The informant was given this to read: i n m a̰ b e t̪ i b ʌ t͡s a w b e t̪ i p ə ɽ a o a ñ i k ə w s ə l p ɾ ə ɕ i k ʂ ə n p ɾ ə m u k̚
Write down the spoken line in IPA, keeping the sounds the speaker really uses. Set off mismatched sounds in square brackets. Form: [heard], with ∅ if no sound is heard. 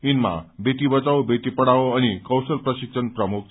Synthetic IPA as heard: i n m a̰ b e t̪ i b [ə] t͡s a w b e t̪ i p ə ɽ a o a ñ i k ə w s ə l p ɾ ə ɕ i k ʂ ə n p ɾ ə m u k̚